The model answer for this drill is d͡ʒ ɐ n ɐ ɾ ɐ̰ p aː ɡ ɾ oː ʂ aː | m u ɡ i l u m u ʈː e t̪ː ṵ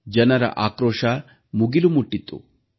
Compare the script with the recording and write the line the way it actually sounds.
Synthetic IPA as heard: d͡ʒ ɐ n ɐ ɾ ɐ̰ ʔ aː k ɾ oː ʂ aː | m u ɡ i l u m u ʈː i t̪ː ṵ